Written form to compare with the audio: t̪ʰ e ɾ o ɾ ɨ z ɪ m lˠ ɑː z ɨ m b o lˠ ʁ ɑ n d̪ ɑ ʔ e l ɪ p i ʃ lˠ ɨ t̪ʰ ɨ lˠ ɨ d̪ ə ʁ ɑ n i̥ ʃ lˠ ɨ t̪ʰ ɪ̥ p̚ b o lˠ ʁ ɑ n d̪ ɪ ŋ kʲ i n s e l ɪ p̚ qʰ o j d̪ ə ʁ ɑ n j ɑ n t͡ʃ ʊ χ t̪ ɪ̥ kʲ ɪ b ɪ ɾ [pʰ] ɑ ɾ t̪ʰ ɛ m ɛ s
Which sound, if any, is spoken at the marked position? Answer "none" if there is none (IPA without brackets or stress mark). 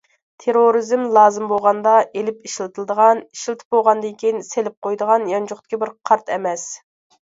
qʰ